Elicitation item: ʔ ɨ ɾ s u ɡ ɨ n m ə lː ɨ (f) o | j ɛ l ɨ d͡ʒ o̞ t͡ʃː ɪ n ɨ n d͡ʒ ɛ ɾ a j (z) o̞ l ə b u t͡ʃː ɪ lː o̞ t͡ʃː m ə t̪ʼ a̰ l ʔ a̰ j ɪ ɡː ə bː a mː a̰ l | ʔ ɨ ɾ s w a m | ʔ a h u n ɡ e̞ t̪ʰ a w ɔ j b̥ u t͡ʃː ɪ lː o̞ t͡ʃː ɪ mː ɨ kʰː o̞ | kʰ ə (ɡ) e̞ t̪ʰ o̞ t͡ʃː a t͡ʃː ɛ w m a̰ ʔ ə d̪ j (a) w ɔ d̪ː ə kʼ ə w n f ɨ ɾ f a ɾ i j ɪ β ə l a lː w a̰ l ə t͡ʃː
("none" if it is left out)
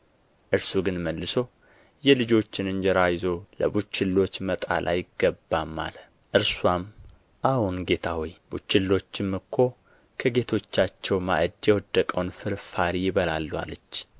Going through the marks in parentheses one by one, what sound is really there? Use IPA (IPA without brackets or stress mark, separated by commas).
s, z, ɡ, ɛ